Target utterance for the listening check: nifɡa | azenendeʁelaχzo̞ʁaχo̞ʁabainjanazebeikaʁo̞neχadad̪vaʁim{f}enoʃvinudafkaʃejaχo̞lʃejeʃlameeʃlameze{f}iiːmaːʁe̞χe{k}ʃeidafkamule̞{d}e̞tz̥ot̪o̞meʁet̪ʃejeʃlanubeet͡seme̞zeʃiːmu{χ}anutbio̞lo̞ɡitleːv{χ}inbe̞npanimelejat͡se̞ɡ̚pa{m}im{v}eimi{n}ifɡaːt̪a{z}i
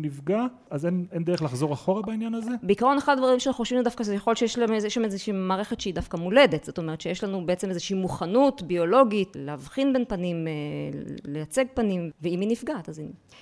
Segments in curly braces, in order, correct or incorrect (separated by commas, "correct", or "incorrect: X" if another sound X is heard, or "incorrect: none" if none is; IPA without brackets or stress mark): incorrect: ʃ, incorrect: ʃ, incorrect: t, correct, correct, correct, incorrect: n, correct, correct, correct